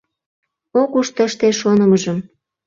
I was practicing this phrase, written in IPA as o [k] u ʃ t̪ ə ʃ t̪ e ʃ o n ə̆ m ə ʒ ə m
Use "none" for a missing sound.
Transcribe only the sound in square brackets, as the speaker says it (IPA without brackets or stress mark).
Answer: k